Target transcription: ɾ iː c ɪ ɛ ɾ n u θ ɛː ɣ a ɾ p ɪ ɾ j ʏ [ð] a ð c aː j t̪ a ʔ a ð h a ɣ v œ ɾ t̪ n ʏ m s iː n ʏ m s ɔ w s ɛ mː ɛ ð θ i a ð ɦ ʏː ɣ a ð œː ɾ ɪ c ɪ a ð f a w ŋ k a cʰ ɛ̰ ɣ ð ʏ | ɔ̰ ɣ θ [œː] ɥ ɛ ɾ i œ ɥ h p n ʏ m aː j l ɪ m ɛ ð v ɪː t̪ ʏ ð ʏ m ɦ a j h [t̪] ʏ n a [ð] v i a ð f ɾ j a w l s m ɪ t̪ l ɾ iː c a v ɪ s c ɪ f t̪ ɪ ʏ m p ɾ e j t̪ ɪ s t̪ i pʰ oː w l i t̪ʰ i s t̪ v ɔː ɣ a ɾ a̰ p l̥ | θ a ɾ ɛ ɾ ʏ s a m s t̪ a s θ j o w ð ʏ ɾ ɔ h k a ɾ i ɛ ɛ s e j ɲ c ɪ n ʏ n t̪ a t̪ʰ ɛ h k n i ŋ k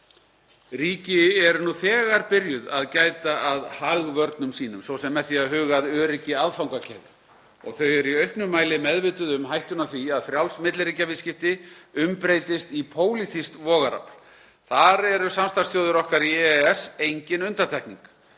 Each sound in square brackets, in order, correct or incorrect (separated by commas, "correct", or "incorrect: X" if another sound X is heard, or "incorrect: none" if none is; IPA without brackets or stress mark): correct, incorrect: œ, correct, incorrect: θ